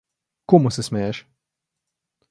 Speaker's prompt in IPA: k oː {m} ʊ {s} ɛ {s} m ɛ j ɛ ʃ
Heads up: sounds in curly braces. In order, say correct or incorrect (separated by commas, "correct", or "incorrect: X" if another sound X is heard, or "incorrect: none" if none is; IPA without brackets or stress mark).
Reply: correct, correct, correct